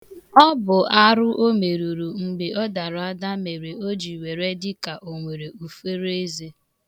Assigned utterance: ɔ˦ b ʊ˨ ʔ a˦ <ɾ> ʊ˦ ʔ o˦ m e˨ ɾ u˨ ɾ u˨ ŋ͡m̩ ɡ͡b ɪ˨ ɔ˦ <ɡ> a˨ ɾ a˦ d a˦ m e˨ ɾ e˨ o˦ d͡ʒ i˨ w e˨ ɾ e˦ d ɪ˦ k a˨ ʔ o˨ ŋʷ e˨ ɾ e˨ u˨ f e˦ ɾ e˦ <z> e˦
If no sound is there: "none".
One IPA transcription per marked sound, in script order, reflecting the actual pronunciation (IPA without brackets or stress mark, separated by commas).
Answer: ɾ, d, z